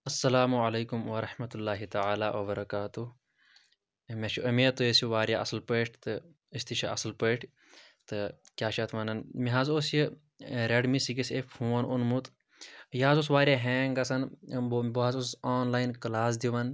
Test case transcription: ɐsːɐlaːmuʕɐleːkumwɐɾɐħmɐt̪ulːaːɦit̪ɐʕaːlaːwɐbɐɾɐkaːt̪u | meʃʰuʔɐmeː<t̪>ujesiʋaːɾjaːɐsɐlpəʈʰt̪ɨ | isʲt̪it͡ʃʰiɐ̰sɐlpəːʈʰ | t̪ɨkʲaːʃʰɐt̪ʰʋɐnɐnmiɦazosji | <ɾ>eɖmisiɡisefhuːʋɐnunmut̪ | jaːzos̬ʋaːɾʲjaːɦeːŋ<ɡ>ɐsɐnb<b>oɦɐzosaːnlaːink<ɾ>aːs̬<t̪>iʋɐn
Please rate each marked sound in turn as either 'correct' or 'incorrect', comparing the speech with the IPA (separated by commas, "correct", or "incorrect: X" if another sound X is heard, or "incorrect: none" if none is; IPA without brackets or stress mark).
correct, correct, correct, correct, incorrect: l, incorrect: d̪